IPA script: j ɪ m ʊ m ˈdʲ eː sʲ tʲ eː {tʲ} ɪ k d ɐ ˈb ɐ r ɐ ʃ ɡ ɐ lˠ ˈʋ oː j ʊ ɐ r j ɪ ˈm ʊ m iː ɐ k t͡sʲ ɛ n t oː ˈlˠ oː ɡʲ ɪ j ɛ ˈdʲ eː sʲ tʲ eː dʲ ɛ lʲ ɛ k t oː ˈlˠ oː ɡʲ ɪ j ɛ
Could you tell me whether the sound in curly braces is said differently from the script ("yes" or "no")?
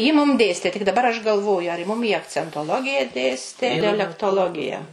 no